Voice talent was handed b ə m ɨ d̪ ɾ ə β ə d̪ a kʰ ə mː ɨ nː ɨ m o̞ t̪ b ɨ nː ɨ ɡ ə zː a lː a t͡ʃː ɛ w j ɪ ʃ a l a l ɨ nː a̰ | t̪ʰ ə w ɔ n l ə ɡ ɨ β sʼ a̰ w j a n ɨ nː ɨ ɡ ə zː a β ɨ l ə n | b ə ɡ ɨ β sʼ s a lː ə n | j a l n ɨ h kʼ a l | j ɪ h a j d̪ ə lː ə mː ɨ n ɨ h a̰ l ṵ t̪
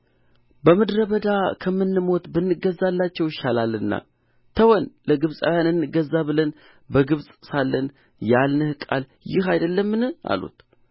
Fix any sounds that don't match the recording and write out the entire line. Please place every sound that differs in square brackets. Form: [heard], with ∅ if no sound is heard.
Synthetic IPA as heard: b ə m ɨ d̪ ɾ ə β ə d̪ a kʰ ə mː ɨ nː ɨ m o̞ t̪ b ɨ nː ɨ ɡ ə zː a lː a t͡ʃː ɛ w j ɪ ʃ a l a l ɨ nː a̰ | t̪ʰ ə w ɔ n l ə ɡ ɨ β sʼ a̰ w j a n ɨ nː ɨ ɡ ə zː a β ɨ l ə n | b ə ɡ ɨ β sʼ s a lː ə n | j a l n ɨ h kʼ a l | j ɪ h a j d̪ ə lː ə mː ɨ n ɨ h a̰ l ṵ t̪